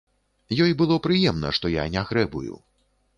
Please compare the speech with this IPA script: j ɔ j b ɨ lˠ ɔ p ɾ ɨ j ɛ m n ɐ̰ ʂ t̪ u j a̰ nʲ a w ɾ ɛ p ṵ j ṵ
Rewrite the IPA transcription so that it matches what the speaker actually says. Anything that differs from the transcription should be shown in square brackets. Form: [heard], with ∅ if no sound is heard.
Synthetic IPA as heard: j ɔ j b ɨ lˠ ɔ p ɾ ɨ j ɛ m n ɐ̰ ʂ t̪ [ɔ] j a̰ nʲ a [ɣ] ɾ ɛ [b] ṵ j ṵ